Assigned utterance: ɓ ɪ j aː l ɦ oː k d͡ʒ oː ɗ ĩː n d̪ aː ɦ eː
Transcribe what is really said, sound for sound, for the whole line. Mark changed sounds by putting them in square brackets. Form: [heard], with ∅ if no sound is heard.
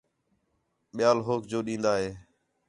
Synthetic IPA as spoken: ɓ ɪ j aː l ɦ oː k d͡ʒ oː ɗ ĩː n d̪ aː ɦ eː